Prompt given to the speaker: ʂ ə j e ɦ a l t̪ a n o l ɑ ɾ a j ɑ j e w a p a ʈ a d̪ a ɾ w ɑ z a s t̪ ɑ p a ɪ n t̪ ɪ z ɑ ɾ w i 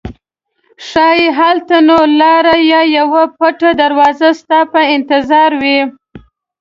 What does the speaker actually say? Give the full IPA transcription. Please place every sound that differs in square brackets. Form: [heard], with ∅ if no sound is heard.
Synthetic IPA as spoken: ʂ [ɑ] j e ɦ a l t̪ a n o l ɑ ɾ a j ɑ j [a] w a p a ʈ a d̪ a ɾ w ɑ z a s t̪ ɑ p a ɪ n t̪ ɪ z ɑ ɾ w i